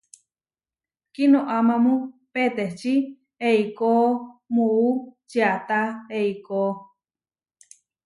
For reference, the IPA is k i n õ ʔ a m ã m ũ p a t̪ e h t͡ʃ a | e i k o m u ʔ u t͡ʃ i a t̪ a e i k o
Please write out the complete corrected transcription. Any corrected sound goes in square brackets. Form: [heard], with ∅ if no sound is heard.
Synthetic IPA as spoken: k i n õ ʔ a m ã m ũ p [e] t̪ e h t͡ʃ [i] | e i k o m u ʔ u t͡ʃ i a t̪ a e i k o